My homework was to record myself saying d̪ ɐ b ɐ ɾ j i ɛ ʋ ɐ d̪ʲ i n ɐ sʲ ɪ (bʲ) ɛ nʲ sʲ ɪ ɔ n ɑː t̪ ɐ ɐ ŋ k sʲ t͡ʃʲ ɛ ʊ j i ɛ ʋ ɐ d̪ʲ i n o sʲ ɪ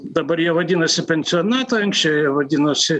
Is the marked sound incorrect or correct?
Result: incorrect